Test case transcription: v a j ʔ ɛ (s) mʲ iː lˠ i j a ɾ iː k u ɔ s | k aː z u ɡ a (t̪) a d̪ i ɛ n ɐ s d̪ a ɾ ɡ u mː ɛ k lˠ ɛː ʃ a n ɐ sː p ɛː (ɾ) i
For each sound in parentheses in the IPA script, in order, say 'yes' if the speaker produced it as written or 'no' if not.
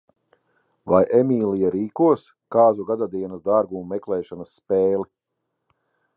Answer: no, no, no

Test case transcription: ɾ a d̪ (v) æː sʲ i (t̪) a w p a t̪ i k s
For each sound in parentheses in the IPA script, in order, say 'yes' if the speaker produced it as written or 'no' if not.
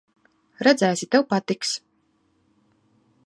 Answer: no, yes

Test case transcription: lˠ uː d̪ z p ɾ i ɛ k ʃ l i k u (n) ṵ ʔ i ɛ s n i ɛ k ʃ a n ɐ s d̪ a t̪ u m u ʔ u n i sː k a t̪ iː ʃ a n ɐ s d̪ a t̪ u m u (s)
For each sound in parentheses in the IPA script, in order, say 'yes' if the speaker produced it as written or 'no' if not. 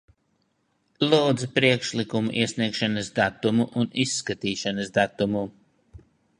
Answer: no, no

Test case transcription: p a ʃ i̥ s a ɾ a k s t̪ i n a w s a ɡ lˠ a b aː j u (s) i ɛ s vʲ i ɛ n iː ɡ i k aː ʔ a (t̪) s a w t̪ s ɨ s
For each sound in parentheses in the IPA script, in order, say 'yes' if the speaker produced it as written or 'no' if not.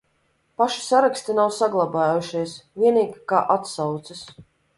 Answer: no, yes

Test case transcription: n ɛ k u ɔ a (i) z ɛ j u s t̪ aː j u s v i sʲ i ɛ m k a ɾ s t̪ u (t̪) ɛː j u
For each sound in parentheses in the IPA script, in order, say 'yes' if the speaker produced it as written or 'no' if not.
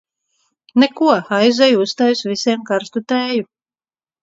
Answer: no, yes

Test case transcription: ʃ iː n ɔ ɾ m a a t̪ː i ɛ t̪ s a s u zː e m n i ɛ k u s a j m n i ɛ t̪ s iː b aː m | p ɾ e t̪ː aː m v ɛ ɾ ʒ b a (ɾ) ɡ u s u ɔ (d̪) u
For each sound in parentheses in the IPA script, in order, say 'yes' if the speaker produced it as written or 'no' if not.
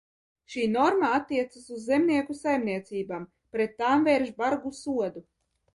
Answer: yes, yes

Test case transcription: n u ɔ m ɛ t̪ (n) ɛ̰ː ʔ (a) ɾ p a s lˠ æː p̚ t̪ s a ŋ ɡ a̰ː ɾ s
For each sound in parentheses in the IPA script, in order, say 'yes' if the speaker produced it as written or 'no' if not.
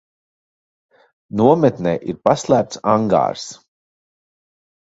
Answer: yes, no

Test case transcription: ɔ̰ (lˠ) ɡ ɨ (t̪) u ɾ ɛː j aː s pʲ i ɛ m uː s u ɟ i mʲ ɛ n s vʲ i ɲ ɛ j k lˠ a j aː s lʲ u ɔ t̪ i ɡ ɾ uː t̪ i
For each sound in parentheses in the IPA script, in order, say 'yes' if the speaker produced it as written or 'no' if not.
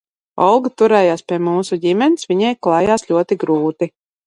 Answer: yes, yes

